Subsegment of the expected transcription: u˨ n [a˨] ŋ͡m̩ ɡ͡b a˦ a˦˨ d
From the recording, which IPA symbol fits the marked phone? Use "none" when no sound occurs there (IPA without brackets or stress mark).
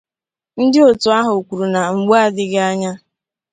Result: a˨